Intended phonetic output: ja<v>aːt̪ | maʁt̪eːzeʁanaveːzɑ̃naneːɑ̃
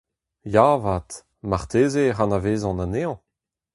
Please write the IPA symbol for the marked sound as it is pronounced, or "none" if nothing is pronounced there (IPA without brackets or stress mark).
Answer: v